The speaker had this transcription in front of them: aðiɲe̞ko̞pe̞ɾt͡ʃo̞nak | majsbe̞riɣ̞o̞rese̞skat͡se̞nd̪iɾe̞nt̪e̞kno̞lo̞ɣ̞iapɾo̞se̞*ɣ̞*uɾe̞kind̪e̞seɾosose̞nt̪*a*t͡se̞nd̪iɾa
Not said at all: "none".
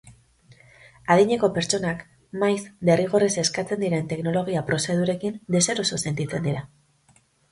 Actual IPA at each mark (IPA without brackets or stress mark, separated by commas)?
ð̞, i